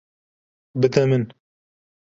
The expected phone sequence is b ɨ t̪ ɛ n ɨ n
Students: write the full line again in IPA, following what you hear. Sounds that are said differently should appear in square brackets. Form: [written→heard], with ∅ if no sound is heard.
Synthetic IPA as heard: b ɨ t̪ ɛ [n→m] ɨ n